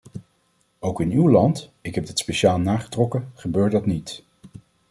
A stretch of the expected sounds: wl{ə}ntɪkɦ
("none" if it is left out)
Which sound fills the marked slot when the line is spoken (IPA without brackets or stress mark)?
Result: ɑ